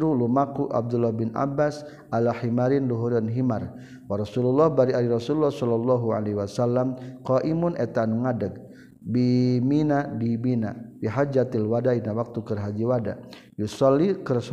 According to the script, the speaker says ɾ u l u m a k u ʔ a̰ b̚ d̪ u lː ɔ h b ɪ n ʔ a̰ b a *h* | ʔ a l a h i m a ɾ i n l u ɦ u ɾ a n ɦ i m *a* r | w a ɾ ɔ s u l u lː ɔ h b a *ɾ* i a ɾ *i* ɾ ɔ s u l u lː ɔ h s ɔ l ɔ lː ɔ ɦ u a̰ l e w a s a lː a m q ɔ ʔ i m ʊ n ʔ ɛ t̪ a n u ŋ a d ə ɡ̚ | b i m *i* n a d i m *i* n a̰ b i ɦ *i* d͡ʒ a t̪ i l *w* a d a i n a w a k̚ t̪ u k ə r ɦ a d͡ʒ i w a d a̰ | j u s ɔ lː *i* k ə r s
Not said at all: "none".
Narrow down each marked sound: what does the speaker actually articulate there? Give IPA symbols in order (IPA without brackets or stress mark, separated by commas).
s, a, ɾ, i, i, i, a, w, i